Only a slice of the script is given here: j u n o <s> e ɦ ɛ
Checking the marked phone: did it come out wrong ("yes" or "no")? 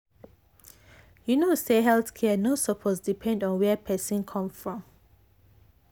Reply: no